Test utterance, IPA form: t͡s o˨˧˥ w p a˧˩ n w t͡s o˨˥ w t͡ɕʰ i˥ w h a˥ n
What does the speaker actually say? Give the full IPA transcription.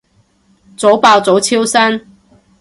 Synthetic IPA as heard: t͡s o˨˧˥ w p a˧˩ w t͡s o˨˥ w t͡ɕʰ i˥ w s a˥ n